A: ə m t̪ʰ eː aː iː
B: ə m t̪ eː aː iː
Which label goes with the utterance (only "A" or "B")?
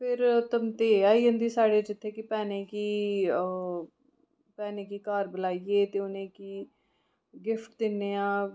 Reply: B